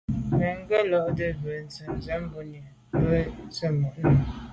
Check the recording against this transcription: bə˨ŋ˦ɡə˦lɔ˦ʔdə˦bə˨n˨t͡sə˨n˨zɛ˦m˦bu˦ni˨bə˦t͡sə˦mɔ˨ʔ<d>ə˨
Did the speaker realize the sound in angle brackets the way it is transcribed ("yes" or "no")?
no